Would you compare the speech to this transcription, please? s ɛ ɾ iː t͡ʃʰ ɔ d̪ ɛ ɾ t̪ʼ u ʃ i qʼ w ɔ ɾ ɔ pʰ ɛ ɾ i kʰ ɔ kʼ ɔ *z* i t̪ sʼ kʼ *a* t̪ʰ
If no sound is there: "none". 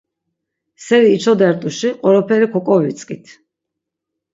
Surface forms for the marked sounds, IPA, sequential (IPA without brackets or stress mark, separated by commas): v, i